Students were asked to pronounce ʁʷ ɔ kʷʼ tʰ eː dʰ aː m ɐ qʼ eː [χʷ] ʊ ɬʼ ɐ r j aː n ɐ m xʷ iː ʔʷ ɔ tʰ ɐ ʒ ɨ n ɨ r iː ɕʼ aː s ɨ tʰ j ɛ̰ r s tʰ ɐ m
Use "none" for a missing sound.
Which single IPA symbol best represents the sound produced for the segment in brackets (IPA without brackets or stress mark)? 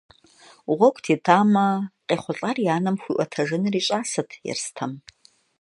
χʷ